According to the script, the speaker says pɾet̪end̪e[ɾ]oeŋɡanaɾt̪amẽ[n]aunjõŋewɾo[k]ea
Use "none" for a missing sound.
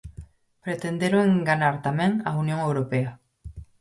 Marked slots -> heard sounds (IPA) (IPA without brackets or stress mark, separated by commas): ɾ, ŋ, p